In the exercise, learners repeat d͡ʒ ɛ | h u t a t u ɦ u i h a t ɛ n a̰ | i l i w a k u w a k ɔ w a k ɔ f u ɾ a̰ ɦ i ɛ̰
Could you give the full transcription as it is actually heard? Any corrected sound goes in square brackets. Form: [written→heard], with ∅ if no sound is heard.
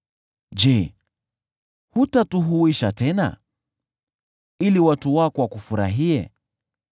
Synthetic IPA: d͡ʒ ɛ | h u t a t u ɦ u i [h→ʃ] a t ɛ n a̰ | i l i w a [k→t] u w a k ɔ w a k [ɔ→u] f u ɾ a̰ ɦ i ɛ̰